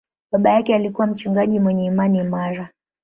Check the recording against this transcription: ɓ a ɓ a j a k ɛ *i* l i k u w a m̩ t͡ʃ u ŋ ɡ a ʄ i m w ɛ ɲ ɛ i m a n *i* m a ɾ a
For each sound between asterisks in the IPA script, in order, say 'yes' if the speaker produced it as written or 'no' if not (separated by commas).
no, yes